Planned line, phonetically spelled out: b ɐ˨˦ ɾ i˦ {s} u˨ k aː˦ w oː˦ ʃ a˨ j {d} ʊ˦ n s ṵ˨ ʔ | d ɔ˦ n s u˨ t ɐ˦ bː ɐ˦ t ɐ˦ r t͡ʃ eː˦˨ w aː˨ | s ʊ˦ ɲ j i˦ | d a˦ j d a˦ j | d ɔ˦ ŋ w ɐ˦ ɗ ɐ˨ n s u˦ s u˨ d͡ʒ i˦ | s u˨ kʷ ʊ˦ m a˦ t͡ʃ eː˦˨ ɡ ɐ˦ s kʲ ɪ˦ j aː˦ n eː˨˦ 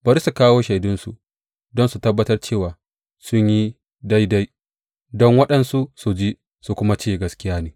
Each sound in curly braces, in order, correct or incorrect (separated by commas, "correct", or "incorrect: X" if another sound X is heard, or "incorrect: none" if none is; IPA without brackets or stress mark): correct, correct